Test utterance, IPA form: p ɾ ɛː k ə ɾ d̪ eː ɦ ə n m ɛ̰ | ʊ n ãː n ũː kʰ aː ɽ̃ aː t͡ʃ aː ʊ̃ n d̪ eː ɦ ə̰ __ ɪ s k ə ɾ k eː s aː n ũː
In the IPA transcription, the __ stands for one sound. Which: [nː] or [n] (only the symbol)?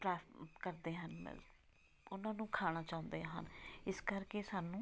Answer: n